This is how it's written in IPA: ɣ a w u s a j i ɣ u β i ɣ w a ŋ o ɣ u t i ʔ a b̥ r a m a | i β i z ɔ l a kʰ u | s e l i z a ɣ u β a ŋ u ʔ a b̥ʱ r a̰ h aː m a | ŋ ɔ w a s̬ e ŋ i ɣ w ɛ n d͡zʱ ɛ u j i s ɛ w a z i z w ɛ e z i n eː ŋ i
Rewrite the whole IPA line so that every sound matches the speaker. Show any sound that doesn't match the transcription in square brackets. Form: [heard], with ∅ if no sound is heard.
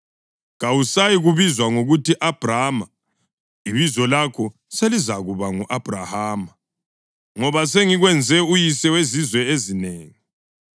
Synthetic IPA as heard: ɣ a w u s a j i ɣ u β i [z] w a ŋ o ɣ u t i ʔ a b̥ r a m a | i β i z ɔ l a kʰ [ɔ] | s e l i z a ɣ u β a ŋ u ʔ a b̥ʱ r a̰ h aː m a | ŋ ɔ [β] a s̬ e ŋ i ɣ w ɛ n d͡zʱ ɛ u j i s ɛ w [e] z i z w ɛ e z i n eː ŋ i